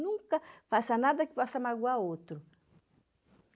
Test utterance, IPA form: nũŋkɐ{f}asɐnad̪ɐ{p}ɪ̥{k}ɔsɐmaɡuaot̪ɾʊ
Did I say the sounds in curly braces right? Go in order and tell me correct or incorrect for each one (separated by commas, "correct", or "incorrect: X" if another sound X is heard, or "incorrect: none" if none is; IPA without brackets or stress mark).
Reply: correct, incorrect: k, incorrect: p